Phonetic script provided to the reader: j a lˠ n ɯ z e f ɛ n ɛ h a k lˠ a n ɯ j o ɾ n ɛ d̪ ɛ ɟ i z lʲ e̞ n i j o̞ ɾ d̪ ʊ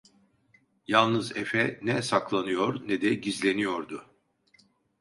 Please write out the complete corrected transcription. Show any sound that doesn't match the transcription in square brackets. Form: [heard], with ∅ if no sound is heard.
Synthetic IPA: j a lˠ n ɯ z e f ɛ n ɛ [s] a k lˠ a n ɯ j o ɾ n ɛ d̪ ɛ ɟ i z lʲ e̞ n i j o̞ ɾ d̪ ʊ